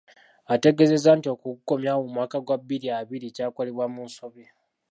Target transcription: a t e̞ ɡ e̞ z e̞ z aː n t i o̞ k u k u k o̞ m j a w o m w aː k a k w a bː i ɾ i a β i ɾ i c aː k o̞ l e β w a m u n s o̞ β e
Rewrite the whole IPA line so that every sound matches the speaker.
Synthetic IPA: a t e̞ ɡ e̞ z e̞ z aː n t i o̞ k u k u k o̞ m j a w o m w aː k a ɡ w a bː i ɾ i a β i ɾ i c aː k o̞ l e β w a m u n s o̞ β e